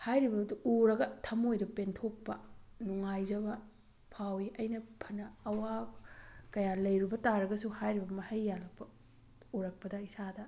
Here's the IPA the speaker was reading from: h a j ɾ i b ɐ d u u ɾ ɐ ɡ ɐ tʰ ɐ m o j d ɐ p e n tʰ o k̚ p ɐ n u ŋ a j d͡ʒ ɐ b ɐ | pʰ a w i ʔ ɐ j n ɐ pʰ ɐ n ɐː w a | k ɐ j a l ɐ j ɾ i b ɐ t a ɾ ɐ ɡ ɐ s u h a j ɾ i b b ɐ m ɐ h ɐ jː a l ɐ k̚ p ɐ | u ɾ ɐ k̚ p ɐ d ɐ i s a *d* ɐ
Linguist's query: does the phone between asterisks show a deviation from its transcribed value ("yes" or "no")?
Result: no